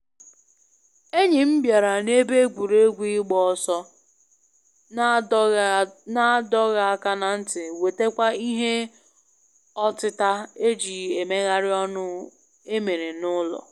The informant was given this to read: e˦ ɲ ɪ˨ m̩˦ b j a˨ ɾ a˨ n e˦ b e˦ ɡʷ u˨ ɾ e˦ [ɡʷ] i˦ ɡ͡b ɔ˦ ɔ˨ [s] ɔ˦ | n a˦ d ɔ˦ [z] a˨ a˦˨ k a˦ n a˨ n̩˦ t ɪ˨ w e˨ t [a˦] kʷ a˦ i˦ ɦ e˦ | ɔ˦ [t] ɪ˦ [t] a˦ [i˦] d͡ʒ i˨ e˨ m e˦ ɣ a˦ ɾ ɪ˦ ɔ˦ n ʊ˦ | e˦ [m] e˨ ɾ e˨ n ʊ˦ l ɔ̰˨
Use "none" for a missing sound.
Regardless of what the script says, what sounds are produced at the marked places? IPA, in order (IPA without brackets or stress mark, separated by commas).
ɡʷ, s, ɣ, e˦, t, t, e˦, m